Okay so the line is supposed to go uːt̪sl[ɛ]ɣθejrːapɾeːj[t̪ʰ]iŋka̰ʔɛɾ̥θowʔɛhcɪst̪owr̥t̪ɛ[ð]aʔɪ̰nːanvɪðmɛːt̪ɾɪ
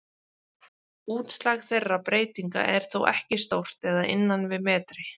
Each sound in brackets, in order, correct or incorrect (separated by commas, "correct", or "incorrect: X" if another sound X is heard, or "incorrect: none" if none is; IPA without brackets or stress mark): incorrect: a, incorrect: t̪, correct